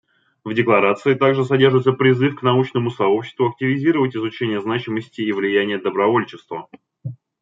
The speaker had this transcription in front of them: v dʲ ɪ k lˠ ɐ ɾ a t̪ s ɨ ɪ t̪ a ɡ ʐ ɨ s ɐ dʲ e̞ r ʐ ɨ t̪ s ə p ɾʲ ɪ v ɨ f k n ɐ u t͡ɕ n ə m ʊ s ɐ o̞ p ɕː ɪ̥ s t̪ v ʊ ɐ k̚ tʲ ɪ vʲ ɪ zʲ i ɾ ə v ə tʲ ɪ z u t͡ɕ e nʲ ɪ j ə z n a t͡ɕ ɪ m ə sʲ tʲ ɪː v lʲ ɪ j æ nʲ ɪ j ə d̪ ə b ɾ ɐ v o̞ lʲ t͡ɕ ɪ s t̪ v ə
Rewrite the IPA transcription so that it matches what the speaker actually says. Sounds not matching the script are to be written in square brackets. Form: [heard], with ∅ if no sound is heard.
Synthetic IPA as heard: v dʲ ɪ k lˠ ɐ ɾ a t̪ s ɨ ɪ t̪ a ɡ ʐ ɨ s ɐ dʲ e̞ r ʐ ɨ t̪ s ə p ɾʲ ɪ [z] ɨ f k n ɐ u t͡ɕ n ə m ʊ s ɐ o̞ p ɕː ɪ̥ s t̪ v ʊ ɐ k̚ tʲ ɪ vʲ ɪ zʲ i ɾ ə v ə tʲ ɪ z [ʊ] t͡ɕ e nʲ ɪ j ə z n a t͡ɕ ɪ m ə sʲ tʲ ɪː v lʲ ɪ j æ nʲ ɪ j ə d̪ ə b ɾ ɐ v o̞ lʲ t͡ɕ ɪ s t̪ v ə